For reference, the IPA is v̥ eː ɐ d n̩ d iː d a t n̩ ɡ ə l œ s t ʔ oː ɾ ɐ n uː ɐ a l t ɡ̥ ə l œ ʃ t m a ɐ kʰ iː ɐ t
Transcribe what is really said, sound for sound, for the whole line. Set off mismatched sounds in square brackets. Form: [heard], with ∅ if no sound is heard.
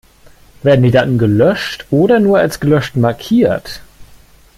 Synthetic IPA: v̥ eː ɐ d n̩ d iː d a t n̩ ɡ ə l œ [ʃ] t ʔ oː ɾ ɐ n uː ɐ a l [s] ɡ̥ ə l œ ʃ t m a ɐ kʰ iː ɐ t